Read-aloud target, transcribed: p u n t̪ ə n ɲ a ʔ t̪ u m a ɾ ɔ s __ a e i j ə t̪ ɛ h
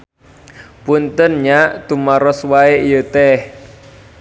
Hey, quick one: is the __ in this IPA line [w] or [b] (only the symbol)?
w